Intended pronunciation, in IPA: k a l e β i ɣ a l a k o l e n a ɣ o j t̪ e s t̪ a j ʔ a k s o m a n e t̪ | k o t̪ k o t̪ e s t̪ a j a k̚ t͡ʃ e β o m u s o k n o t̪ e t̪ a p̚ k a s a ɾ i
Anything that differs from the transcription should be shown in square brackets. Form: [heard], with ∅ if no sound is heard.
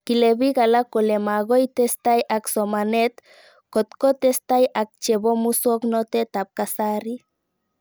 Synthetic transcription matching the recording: k [i] l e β i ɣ a l a k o l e [m] a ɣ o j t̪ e s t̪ a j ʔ a k s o m a n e t̪ | k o t̪ k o t̪ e s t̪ a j a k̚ t͡ʃ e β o m u s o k n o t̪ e t̪ a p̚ k a s a ɾ i